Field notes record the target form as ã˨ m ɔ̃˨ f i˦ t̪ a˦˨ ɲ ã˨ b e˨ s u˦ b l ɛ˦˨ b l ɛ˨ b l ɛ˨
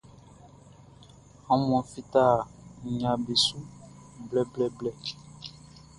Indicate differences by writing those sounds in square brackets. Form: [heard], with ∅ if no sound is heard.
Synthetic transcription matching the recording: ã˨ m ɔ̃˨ f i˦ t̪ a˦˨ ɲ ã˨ b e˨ s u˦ b l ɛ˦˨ b l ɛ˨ b l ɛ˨